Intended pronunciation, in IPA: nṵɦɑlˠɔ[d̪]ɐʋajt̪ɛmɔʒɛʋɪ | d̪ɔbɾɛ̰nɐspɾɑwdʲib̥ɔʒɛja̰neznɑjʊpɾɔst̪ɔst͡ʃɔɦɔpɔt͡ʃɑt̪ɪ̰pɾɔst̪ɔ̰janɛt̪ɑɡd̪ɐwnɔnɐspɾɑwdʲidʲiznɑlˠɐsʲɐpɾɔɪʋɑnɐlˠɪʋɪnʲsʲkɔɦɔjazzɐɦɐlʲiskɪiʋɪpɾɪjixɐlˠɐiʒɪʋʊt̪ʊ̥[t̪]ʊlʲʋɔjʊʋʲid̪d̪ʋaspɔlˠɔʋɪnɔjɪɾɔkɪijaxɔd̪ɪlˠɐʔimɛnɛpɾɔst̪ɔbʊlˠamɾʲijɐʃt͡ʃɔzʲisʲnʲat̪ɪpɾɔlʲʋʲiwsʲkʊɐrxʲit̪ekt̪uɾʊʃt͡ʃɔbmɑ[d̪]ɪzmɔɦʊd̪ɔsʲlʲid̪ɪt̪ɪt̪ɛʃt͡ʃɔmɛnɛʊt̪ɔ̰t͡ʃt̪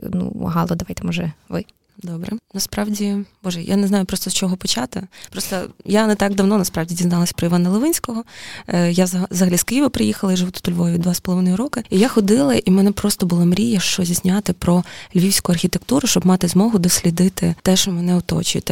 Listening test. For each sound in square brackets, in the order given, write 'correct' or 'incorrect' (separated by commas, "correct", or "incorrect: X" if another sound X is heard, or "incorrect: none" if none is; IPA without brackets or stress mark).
correct, correct, incorrect: t̪